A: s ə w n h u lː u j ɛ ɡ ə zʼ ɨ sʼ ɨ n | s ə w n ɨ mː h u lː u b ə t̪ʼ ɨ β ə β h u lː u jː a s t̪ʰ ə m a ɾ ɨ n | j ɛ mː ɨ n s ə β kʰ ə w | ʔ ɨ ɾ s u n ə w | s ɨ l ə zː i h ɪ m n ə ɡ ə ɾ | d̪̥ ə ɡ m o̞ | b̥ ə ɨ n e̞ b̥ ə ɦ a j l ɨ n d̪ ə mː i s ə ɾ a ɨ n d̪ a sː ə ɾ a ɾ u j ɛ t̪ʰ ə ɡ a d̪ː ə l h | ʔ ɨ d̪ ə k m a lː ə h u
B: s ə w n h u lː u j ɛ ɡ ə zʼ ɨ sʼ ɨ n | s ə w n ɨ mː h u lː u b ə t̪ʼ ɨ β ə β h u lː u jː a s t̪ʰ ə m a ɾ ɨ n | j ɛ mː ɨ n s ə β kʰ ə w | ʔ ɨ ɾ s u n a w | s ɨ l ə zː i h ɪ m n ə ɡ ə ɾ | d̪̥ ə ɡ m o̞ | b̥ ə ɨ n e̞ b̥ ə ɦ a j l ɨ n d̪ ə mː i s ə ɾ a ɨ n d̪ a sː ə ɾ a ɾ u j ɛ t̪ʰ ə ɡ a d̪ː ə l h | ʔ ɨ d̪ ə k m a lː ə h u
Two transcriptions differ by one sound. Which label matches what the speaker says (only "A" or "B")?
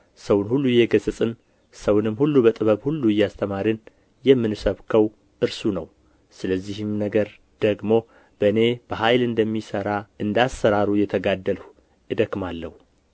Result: A